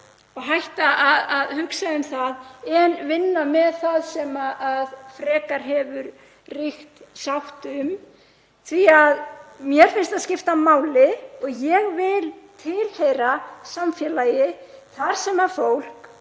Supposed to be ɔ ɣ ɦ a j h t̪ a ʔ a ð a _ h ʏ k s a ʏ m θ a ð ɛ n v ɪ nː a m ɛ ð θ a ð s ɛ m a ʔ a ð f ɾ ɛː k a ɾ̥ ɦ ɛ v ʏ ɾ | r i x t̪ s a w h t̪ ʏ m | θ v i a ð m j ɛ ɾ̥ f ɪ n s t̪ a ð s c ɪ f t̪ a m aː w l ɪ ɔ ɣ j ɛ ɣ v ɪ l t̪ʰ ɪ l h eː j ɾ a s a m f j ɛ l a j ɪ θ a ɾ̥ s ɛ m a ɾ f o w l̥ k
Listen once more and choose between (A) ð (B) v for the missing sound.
A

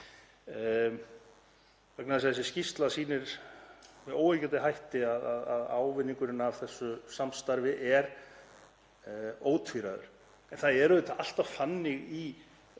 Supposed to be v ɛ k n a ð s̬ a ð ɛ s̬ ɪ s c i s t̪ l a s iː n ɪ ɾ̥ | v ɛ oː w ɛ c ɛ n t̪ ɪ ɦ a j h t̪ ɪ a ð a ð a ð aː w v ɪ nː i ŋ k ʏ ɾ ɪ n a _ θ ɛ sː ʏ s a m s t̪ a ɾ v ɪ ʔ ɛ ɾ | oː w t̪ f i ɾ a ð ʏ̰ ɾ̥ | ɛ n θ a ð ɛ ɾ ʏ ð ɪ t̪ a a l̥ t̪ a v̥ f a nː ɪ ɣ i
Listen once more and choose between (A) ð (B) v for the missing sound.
B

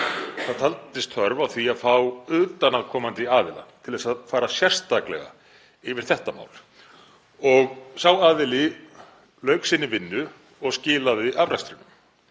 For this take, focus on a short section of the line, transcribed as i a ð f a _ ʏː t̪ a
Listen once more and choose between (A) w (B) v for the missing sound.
A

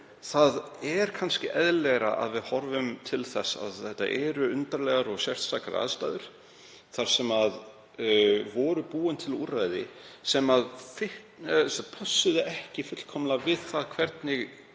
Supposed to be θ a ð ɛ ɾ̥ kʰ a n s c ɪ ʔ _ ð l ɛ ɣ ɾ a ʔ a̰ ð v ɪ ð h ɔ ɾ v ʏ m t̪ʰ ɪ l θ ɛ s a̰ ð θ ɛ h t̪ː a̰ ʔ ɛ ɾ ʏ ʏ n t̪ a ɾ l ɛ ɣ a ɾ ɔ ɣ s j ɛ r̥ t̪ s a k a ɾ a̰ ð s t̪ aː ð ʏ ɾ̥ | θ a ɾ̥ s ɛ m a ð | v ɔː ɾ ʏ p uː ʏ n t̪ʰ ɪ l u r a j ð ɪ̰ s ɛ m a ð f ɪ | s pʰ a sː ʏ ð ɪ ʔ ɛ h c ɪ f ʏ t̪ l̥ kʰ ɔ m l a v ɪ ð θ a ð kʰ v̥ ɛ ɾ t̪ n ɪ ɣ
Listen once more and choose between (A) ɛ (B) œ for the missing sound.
A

